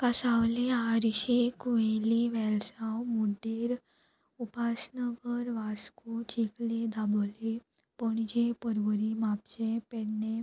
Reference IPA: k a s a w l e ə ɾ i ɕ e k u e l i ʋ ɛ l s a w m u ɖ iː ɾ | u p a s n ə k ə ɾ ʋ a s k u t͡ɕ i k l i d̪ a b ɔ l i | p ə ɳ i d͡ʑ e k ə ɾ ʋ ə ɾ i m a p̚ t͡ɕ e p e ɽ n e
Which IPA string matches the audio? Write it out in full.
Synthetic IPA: k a s a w l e a ɾ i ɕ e k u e l i ʋ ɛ l s a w m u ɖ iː ɾ | u p a s n ə ɡ ə ɾ ʋ a s k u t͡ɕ i k l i d̪ a b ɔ l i | p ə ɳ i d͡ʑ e p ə ɾ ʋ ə ɾ i m a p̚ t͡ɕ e p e ɽ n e